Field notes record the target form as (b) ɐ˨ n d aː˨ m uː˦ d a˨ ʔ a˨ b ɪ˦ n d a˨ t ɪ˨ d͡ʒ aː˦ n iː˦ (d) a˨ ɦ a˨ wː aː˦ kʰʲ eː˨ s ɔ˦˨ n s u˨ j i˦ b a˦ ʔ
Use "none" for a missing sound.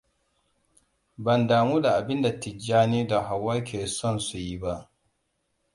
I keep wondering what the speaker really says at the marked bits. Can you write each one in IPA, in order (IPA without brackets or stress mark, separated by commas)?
b, d